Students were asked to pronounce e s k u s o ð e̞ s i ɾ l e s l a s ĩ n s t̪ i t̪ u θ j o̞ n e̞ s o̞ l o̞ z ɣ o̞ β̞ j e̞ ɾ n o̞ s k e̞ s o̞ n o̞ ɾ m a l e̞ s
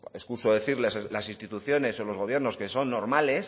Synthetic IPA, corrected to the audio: e s k u s o ð e̞ θ i ɾ l e s l a s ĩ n s t̪ i t̪ u θ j o̞ n e̞ s o̞ l o̞ z ɣ o̞ β̞ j e̞ ɾ n o̞ s k e̞ s o̞ nː o̞ ɾ m a l e̞ s